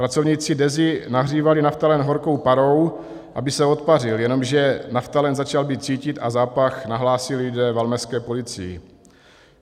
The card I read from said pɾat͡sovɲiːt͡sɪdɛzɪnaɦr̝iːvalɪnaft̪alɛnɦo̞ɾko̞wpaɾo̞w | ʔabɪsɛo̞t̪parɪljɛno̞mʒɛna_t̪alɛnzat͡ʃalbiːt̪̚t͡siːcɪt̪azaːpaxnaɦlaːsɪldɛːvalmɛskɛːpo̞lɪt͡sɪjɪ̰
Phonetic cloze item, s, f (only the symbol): f